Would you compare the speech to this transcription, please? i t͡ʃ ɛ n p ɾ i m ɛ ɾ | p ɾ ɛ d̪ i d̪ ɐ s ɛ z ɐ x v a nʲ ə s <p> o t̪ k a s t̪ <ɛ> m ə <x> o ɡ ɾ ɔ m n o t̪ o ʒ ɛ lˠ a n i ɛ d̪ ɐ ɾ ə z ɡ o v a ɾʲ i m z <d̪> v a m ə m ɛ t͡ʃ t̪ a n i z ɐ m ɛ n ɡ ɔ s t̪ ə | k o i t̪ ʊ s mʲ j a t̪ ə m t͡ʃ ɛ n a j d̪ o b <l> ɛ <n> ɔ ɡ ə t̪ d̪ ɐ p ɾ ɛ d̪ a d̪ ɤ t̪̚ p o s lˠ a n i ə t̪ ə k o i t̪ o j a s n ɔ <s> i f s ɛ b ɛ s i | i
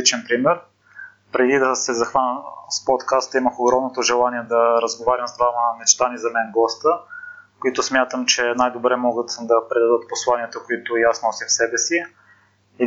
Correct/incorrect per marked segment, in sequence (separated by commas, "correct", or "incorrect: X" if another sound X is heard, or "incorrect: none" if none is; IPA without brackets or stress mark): correct, incorrect: i, correct, correct, incorrect: ɾ, incorrect: m, correct